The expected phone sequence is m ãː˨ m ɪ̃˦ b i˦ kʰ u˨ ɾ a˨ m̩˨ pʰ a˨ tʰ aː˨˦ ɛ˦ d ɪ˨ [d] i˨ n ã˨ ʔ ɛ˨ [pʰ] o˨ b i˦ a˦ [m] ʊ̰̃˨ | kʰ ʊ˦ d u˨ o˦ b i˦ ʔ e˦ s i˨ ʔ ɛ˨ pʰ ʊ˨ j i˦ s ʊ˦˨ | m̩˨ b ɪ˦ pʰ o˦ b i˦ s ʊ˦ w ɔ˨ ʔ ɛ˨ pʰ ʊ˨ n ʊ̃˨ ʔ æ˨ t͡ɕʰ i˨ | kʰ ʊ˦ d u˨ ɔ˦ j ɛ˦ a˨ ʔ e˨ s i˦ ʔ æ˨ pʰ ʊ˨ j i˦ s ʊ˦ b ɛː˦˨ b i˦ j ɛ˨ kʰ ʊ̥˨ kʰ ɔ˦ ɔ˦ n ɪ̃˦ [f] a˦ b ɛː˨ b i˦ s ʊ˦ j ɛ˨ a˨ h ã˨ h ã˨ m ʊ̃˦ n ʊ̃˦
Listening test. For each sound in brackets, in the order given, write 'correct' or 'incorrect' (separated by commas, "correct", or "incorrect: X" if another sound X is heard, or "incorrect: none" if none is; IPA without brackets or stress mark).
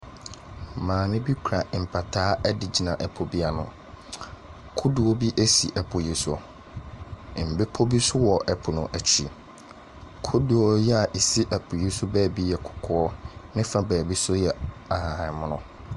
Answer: incorrect: d͡ʑ, correct, incorrect: n, correct